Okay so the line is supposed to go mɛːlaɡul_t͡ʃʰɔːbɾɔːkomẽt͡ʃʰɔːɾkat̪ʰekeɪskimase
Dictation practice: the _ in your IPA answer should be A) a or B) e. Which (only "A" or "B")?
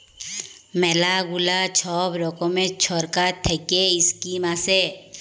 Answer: A